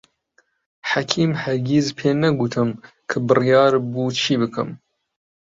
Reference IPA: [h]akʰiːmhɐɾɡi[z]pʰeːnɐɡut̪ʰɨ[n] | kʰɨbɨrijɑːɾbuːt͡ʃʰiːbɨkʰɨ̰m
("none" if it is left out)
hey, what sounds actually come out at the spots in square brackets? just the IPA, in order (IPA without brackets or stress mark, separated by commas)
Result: ħ, z, m